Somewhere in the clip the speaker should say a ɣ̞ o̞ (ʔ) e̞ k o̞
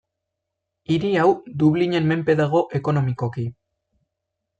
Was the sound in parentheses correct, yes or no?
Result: yes